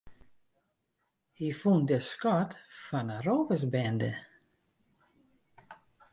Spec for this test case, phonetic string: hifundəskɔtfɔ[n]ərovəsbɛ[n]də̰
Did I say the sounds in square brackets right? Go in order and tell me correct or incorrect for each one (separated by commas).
correct, correct